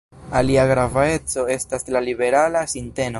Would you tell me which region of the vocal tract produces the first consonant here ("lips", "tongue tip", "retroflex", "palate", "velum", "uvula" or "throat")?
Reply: tongue tip